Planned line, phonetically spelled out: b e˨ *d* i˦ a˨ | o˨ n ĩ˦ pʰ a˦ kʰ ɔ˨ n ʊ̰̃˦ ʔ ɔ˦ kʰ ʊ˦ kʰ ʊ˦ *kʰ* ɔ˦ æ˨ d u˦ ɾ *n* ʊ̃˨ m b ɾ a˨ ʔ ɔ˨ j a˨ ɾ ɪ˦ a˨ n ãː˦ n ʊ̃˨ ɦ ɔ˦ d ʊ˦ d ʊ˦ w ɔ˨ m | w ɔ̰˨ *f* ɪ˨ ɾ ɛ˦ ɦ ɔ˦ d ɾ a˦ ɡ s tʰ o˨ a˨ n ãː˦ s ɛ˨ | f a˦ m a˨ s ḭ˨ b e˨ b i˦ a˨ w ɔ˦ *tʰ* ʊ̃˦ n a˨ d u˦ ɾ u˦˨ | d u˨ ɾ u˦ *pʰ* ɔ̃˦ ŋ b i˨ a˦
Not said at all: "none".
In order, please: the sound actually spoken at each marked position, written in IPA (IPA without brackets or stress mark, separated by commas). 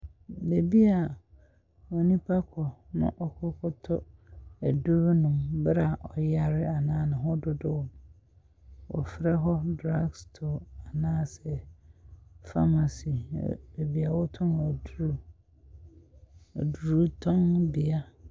b, tʰ, n, f, tʰ, tʰ